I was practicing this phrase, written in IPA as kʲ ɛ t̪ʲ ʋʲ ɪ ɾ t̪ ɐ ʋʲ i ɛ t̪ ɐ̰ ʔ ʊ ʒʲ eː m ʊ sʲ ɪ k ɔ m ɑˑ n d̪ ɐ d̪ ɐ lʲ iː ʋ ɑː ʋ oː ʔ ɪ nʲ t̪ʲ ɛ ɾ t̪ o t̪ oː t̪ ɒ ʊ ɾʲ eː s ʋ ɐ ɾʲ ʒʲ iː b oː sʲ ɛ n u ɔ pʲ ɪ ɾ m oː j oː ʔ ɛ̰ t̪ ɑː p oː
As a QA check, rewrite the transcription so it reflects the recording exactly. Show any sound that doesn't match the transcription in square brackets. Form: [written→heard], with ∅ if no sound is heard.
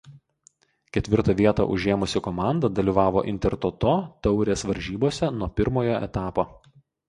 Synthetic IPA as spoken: kʲ ɛ t̪ʲ ʋʲ ɪ ɾ t̪ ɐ ʋʲ i ɛ t̪ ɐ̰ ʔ ʊ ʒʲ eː m ʊ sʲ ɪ k ɔ m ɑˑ n d̪ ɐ d̪ ɐ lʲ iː ʋ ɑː ʋ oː ʔ ɪ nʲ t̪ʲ ɛ ɾ t̪ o t̪ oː t̪ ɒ ʊ ɾʲ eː s ʋ ɐ ɾʲ ʒʲ iː b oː sʲ ɛ n u ɔ pʲ ɪ ɾ m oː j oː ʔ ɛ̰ t̪ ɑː p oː